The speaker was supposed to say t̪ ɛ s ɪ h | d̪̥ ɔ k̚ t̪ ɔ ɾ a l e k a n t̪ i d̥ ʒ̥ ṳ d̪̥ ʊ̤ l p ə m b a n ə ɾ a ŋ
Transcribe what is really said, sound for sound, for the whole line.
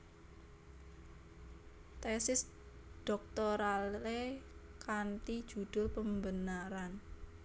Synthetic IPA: t̪ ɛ s ɪ s | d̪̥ ɔ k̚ t̪ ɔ ɾ a l e k a n t̪ i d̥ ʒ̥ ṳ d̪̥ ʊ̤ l p ə m b ə n a ɾ a n